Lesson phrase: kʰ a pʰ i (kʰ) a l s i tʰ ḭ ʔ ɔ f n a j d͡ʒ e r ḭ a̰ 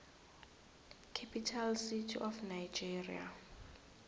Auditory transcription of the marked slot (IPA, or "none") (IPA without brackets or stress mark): tʰ